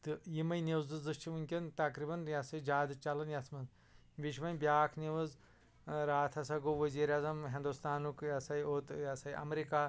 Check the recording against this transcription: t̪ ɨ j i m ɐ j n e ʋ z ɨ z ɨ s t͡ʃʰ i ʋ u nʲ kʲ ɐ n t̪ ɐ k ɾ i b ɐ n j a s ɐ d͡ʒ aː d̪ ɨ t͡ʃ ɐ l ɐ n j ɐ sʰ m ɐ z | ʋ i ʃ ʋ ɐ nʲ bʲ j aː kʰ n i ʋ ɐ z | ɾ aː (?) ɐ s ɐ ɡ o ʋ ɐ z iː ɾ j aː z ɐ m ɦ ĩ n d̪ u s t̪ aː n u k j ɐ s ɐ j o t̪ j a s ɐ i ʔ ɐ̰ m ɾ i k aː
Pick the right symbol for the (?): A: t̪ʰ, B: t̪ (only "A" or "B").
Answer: A